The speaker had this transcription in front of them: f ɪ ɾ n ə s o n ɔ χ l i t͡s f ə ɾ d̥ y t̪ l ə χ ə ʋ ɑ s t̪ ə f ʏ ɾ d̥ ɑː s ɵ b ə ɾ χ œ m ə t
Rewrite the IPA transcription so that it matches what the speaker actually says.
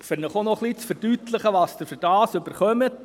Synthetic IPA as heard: f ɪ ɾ n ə χ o n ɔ χ l i t͡s f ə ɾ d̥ y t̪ l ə χ ə ʋ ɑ s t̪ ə f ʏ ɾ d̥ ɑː s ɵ b ə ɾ χ œ m ə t

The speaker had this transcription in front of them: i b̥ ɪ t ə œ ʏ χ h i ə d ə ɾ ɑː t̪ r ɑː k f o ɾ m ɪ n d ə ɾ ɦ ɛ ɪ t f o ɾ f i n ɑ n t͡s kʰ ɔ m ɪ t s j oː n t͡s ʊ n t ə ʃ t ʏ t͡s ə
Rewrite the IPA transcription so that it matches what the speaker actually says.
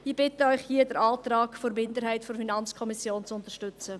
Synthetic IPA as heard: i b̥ ɪ t ə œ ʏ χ h i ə d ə ɾ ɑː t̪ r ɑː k f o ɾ m ɪ n d ə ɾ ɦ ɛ ɪ t f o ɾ f i n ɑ n t͡s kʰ ɔ m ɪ s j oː n t͡s ʊ n t ə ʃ t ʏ t͡s ə

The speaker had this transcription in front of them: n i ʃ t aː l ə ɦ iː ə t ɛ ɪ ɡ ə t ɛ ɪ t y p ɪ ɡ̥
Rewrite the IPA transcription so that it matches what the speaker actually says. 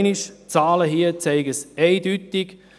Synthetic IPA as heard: n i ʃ t͡s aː l ə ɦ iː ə t͡s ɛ ɪ ɡ ə s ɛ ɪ d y t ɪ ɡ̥

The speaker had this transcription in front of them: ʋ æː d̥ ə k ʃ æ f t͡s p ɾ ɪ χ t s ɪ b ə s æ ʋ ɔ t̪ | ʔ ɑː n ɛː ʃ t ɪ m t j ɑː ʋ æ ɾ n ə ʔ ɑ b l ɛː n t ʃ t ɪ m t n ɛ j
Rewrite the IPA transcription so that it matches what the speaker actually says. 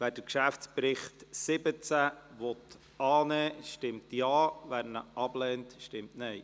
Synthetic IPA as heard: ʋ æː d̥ ə k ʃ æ f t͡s p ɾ ɪ χ t s ɪ b ə t͡s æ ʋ ɔ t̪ | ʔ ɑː n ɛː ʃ t ɪ m t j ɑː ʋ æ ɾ n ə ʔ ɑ b l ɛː n t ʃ t ɪ m t n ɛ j

